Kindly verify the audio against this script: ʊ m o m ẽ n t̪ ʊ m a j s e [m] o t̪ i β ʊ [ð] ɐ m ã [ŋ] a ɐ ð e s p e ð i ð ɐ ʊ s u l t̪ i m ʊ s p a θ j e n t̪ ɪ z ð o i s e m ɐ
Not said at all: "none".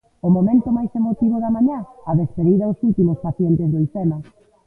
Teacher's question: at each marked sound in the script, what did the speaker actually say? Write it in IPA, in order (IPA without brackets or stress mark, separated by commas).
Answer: m, ð, ɲ